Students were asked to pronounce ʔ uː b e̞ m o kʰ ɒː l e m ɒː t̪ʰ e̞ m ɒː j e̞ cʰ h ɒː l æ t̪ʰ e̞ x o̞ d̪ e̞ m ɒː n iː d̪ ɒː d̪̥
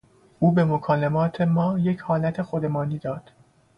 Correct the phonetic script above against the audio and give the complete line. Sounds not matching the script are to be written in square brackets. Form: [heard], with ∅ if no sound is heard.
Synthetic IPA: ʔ uː b e̞ m o kʰ ɒː l e m ɒː t̪ʰ e̞ m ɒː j e̞ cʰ h ɒː l æ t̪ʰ e̞ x o̞ d̪ e̞ m ɒː n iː d̪ ɒː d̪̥